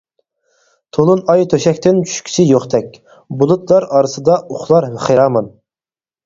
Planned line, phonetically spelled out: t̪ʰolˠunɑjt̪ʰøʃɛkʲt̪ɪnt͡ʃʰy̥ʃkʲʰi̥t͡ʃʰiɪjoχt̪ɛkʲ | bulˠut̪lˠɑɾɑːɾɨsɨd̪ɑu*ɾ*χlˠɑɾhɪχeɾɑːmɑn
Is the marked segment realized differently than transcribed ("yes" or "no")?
yes